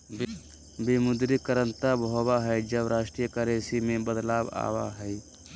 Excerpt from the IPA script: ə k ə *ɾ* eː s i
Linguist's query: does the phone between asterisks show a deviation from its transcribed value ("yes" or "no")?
no